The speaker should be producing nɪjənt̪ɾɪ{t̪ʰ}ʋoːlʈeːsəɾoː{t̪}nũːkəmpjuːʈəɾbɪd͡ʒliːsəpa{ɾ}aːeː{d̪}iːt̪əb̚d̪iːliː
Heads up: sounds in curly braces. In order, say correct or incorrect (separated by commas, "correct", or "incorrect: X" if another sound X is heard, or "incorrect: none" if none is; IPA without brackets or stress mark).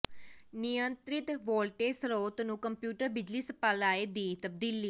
incorrect: t̪, correct, incorrect: l, correct